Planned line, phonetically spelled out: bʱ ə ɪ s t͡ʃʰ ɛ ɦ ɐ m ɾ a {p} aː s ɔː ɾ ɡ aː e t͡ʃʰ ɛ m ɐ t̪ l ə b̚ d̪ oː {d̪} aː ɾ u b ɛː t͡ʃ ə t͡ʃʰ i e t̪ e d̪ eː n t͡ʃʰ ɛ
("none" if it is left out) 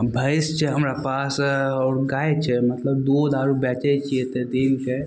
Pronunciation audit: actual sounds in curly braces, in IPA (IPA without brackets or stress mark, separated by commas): p, d̪